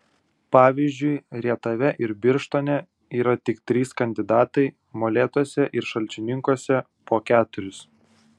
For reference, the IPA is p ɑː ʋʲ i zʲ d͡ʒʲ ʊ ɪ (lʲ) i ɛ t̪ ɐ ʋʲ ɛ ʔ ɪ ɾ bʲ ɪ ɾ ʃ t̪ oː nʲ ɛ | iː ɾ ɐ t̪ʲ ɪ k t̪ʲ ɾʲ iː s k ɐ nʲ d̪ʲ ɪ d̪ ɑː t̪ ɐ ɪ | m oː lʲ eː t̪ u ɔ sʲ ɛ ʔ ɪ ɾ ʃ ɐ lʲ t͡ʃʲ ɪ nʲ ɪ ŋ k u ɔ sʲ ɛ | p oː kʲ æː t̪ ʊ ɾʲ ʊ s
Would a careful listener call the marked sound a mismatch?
yes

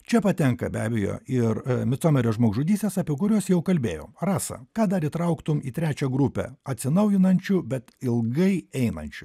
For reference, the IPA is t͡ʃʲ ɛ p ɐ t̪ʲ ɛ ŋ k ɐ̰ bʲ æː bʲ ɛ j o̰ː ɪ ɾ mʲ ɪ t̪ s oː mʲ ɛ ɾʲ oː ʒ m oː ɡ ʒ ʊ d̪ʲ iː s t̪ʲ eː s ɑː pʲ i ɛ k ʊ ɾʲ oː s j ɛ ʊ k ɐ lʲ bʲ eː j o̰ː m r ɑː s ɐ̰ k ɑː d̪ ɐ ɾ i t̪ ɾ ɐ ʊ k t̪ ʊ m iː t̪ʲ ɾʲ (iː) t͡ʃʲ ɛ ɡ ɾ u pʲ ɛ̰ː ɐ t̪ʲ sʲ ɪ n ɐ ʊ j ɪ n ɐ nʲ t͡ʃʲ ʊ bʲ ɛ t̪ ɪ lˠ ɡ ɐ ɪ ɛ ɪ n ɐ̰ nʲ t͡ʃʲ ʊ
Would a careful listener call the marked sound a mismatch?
yes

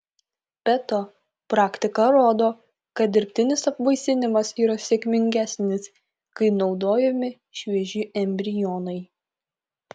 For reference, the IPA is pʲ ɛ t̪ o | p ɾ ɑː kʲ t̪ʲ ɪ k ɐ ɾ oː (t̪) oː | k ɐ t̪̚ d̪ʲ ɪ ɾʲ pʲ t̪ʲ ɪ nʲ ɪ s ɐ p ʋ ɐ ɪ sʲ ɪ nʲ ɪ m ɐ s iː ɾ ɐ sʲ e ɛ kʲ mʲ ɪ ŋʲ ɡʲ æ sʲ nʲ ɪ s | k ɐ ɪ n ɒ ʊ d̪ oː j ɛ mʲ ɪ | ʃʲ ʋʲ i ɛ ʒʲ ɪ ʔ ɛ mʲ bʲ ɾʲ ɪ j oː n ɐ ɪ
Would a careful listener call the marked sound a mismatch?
yes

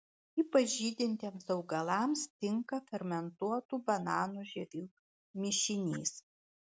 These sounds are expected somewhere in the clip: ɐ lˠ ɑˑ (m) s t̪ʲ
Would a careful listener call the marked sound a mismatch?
no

